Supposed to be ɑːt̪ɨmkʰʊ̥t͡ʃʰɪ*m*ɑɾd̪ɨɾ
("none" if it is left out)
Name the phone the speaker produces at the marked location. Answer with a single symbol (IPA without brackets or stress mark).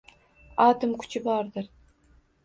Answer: b